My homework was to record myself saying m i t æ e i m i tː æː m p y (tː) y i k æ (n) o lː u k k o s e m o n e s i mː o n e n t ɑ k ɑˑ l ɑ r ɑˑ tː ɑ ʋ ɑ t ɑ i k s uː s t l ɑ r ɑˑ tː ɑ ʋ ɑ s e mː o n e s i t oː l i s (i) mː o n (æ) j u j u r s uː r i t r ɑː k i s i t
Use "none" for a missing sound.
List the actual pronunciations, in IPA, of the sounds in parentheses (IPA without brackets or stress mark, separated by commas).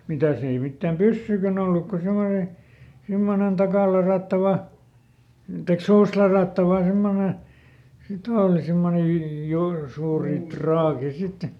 sː, n, i, e